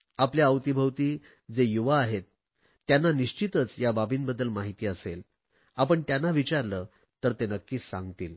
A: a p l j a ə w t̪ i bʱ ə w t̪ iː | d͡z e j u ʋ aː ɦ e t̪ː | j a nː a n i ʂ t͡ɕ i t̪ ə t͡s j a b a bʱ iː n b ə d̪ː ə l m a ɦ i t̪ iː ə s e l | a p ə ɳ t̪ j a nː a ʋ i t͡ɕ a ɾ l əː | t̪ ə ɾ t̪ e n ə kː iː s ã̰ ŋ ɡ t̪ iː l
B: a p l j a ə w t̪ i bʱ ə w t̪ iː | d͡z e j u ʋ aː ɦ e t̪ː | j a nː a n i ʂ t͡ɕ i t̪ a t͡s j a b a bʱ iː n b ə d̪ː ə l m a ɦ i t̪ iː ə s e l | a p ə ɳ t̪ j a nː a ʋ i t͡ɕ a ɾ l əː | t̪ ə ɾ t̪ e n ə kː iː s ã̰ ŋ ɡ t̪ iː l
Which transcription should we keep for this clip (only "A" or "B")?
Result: A